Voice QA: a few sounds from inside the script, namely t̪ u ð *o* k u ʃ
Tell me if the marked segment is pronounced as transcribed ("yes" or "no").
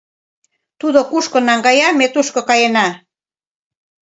yes